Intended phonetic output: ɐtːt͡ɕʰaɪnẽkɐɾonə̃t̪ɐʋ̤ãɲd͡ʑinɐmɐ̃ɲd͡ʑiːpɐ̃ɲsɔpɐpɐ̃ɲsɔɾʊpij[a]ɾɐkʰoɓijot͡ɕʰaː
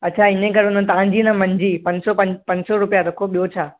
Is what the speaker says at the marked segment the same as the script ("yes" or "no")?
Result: yes